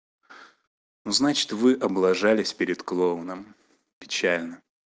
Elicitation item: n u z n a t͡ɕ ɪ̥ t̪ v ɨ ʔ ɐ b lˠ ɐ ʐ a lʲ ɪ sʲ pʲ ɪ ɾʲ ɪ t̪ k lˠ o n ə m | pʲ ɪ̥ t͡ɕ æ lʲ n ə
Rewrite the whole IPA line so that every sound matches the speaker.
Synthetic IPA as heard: n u z n a t͡ɕ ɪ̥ t̪ v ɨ ʔ ɐ b lˠ ɐ ʐ a lʲ ɪ sʲ pʲ ɪ ɾʲ ɪ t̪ k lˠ o n ə m | pʲ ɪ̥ t͡ɕ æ lʲ n ə